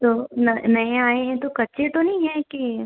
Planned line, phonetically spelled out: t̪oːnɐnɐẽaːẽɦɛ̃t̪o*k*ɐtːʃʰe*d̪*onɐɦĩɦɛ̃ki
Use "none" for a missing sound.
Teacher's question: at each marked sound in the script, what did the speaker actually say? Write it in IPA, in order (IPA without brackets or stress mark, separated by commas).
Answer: k, t̪